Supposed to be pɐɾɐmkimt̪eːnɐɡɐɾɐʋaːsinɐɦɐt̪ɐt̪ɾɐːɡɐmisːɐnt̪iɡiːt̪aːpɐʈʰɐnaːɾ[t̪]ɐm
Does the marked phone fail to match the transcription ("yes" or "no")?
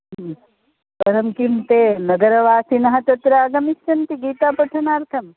yes